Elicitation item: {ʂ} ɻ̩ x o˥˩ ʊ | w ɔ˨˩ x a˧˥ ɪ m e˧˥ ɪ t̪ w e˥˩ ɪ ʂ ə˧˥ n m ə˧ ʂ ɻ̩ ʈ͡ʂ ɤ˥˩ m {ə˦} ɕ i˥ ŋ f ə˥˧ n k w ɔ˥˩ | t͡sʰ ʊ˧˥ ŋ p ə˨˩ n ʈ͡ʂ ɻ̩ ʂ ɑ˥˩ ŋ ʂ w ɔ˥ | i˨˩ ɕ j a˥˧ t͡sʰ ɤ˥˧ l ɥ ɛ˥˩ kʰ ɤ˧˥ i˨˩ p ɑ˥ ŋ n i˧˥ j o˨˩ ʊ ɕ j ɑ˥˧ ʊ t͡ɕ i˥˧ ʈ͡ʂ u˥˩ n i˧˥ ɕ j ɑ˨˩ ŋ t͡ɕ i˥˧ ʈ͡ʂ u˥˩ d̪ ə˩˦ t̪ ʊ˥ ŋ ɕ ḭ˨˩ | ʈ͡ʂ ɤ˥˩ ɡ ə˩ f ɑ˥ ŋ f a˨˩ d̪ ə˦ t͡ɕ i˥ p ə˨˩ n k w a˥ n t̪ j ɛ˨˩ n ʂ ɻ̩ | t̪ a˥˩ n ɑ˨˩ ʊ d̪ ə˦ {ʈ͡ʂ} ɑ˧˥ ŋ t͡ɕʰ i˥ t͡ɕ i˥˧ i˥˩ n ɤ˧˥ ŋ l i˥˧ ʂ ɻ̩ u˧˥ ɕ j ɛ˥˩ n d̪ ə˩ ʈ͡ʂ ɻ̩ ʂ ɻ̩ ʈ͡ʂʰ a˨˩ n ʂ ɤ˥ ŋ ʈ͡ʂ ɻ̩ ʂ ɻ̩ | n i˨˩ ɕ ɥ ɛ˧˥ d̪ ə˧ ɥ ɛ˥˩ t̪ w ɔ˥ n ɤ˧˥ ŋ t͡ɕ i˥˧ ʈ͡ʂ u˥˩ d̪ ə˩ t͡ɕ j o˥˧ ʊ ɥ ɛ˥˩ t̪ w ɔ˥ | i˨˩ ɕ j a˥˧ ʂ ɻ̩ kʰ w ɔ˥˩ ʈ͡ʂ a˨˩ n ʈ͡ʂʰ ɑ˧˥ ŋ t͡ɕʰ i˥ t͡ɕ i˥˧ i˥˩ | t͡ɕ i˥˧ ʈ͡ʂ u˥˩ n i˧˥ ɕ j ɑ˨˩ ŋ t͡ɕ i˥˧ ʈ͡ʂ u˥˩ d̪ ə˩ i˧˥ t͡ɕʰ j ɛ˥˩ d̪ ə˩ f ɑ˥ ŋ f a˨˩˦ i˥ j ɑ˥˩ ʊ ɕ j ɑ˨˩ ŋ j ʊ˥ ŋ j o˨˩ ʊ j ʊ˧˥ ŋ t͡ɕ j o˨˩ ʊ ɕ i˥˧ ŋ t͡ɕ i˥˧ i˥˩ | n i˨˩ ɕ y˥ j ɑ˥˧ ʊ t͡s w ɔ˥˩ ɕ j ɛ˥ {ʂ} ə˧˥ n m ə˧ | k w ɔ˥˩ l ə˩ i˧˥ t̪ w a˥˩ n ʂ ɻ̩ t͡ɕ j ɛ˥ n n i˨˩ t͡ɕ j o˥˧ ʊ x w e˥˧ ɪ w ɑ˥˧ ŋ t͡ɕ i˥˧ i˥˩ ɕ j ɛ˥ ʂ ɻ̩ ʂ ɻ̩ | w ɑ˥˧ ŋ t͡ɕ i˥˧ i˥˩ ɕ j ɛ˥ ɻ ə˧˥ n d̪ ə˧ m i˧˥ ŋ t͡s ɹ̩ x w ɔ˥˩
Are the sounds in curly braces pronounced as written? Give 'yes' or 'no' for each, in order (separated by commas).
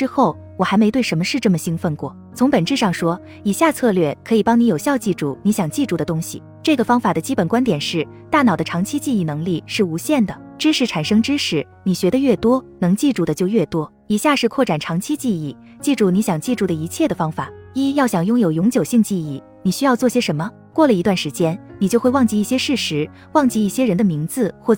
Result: no, no, no, yes